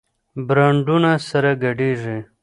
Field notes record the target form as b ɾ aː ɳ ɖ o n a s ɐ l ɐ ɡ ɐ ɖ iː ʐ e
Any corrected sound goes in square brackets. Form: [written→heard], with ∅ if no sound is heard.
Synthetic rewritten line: b ɾ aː ɳ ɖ [o→u] n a s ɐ [l→ɾ] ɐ ɡ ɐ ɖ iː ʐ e